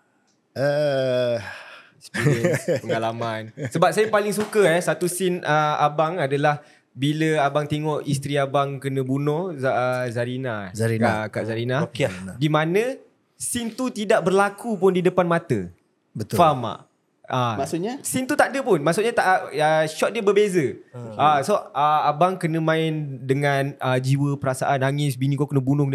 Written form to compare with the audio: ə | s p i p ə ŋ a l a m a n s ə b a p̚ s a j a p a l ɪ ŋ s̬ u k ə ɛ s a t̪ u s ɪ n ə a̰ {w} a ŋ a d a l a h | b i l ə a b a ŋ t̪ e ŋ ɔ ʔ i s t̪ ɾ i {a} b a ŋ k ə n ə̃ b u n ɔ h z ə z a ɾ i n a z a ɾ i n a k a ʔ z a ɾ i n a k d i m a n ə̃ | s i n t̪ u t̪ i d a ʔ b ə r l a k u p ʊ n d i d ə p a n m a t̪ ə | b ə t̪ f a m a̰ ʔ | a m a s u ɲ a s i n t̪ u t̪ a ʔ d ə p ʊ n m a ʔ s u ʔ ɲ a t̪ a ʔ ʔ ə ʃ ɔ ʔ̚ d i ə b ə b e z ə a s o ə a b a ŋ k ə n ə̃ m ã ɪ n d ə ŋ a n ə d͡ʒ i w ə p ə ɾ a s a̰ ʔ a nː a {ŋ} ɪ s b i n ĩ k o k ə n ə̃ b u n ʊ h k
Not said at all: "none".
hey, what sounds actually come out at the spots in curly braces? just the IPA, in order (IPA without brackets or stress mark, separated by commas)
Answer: b, a, ŋ